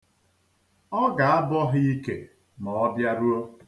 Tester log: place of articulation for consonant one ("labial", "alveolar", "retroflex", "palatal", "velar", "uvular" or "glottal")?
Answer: velar